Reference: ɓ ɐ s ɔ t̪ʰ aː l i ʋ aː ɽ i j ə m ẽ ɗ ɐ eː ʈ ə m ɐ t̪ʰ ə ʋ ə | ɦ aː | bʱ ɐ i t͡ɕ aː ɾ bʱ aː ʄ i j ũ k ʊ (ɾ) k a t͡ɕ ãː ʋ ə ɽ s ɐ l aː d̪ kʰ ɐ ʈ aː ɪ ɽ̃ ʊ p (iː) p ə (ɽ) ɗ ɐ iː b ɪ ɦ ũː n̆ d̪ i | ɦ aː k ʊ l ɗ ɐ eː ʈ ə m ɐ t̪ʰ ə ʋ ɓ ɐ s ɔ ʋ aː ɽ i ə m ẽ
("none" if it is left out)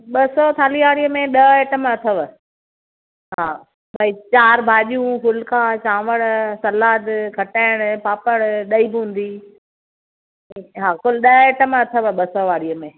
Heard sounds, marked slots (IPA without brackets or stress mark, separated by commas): l, aː, ɽ